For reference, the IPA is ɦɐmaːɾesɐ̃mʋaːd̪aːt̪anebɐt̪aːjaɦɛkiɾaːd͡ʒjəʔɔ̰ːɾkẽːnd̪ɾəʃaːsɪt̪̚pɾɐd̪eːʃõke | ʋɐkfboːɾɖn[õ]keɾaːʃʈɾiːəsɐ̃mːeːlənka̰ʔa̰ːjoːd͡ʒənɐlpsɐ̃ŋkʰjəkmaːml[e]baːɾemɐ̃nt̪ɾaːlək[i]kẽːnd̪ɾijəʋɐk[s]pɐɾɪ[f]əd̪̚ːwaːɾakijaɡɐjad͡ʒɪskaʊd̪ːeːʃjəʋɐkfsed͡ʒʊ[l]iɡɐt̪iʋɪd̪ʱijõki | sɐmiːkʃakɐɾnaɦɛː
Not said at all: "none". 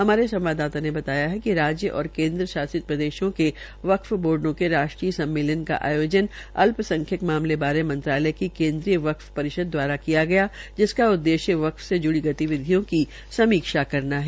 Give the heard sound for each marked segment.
õ, e, i, f, ʃ, ɽ

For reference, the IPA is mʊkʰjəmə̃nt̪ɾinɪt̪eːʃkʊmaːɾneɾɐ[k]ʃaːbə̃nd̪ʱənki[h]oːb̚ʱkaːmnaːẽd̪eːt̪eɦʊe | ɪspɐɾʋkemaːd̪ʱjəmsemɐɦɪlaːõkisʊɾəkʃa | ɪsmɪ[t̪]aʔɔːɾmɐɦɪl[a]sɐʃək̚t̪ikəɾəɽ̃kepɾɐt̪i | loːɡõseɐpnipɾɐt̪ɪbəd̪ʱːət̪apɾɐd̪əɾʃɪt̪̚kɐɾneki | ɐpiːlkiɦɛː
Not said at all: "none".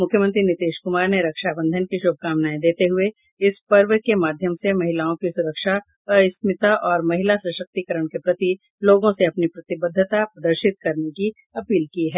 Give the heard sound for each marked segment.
k, ʃ, t̪, a

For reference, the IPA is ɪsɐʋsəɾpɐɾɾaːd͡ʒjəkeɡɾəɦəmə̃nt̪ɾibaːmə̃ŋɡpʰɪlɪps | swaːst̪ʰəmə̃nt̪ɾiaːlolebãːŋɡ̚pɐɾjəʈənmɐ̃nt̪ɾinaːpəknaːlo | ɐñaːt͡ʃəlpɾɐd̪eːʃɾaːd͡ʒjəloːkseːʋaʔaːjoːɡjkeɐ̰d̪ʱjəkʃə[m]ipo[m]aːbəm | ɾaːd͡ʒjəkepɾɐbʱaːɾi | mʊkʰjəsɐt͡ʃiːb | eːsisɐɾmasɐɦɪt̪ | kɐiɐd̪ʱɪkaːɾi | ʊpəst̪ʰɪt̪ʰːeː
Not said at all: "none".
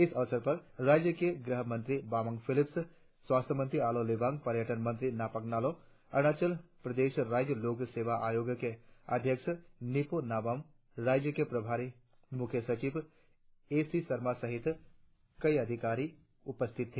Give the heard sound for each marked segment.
n, n

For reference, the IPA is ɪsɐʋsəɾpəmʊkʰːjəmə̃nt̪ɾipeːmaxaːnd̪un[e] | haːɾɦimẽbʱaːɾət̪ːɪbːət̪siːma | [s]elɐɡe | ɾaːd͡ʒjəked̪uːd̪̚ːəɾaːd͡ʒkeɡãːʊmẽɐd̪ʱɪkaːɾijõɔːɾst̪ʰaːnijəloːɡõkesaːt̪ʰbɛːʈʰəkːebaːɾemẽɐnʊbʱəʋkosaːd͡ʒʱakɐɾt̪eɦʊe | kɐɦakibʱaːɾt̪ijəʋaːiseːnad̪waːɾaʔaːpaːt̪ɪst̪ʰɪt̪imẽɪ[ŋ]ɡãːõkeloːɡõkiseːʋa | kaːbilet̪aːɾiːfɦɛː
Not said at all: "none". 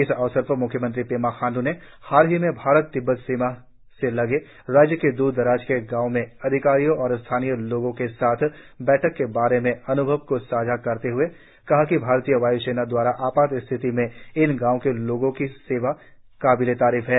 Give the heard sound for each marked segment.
e, s, n

